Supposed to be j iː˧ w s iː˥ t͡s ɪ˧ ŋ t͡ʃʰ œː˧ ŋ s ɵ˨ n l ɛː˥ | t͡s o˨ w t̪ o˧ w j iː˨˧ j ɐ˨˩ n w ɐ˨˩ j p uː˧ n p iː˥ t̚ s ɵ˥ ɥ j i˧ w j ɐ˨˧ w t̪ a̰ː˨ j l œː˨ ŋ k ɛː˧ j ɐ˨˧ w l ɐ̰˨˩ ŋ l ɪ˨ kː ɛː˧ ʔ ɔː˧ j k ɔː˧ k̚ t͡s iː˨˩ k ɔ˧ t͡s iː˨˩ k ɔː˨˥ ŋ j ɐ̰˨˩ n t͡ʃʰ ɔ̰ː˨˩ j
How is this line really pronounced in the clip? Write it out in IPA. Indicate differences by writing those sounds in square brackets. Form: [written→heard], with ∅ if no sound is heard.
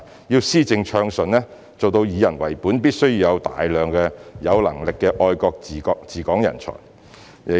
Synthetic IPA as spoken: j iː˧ w s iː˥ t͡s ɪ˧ ŋ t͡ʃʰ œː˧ ŋ s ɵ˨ n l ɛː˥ | t͡s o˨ w t̪ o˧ w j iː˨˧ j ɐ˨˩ n w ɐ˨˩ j p [uː˧→uː˨˥] n p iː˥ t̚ s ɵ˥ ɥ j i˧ w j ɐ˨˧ w t̪ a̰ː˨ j l œː˨ ŋ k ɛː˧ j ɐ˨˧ w l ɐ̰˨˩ ŋ l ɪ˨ kː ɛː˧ ʔ ɔː˧ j k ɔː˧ k̚ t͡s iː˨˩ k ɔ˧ t͡s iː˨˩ k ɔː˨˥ ŋ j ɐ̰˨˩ n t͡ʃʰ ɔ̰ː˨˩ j